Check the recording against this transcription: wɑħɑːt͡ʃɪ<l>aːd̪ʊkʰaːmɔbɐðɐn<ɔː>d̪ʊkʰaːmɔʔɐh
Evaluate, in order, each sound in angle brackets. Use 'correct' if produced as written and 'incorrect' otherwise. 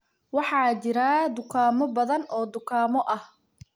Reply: incorrect, correct

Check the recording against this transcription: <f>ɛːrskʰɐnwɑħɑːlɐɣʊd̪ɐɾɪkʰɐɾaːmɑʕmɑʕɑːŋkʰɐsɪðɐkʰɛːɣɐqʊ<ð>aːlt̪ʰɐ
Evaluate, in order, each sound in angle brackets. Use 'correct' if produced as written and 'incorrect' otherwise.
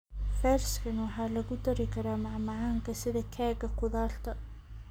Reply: correct, correct

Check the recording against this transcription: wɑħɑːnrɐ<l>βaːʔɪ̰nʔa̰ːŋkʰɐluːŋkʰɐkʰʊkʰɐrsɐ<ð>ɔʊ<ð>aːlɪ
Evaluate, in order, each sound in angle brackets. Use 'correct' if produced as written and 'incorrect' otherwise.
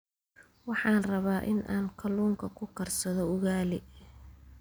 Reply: incorrect, correct, incorrect

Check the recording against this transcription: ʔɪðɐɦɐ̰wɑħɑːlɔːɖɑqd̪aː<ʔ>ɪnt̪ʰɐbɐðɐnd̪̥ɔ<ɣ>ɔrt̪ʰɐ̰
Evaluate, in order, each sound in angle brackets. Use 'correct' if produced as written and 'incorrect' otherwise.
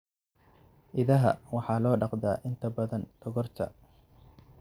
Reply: correct, correct

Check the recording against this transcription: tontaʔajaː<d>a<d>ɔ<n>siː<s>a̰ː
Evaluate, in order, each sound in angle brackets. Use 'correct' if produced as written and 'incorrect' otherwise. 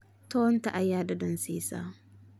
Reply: correct, correct, correct, correct

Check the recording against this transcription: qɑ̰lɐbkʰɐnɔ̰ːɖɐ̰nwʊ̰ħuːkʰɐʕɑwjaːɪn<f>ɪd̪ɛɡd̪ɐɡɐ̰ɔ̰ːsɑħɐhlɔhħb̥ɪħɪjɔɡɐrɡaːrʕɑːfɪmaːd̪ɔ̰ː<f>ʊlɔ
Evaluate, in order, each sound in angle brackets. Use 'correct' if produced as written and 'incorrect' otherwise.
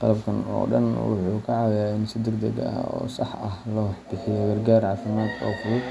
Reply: incorrect, correct

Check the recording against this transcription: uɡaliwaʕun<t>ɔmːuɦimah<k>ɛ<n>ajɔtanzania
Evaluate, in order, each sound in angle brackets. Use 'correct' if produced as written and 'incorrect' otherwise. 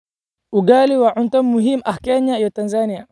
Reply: correct, correct, incorrect

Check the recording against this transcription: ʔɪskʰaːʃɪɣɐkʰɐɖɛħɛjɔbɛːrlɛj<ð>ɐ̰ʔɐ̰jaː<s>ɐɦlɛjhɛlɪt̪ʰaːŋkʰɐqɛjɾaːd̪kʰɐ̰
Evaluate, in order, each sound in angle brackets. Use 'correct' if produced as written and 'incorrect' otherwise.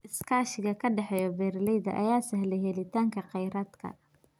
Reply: correct, correct

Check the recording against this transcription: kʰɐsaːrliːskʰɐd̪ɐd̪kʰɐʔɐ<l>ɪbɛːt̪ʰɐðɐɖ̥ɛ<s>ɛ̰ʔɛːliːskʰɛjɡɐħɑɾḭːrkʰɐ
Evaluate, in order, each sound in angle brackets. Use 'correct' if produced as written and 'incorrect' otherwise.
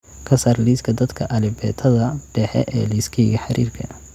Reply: correct, incorrect

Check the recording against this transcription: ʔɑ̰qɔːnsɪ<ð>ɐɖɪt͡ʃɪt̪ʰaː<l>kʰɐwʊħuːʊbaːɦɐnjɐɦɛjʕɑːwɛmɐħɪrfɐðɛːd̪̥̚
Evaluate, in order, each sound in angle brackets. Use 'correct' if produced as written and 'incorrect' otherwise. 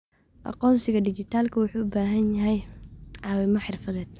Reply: incorrect, correct

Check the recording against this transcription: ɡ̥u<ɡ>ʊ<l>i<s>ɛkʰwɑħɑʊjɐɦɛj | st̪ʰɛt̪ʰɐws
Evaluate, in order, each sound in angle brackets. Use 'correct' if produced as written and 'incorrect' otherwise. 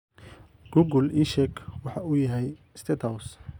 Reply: correct, correct, incorrect

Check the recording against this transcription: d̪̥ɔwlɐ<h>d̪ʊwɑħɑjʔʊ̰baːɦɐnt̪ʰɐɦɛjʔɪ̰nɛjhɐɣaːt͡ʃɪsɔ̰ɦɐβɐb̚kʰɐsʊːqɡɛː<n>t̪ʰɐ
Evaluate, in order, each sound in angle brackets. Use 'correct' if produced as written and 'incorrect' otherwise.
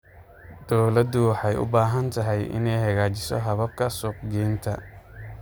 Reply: incorrect, correct

